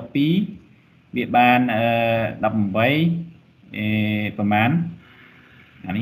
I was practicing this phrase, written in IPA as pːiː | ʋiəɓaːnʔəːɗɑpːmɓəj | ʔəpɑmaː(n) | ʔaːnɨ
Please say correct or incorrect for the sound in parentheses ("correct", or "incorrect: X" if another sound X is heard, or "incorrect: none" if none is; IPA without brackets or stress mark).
correct